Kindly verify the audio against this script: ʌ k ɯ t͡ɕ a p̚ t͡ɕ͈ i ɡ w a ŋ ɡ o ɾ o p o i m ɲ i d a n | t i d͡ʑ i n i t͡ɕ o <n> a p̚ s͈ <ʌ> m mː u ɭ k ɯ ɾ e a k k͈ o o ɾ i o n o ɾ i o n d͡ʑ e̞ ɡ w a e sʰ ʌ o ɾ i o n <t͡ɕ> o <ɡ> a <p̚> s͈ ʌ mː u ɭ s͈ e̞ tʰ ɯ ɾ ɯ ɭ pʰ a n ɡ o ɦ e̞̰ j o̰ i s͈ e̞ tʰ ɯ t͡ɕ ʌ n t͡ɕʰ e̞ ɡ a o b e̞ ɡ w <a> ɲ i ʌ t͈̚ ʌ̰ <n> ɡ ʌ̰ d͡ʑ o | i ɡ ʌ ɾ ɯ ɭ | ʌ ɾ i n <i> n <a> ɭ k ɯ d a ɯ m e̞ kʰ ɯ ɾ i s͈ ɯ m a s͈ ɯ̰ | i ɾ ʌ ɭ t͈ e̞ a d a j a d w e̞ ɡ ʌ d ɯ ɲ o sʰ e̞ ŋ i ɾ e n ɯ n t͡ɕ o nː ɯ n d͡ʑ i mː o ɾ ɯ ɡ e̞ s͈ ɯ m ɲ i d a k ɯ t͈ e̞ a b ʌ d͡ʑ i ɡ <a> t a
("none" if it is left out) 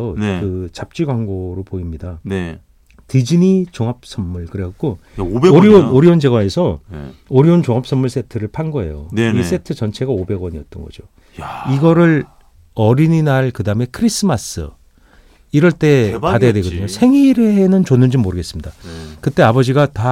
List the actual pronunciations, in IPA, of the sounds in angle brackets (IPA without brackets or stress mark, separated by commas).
ŋ, ʌ, t͡ɕ, ŋ, p̚, ʌ, n, i, a, a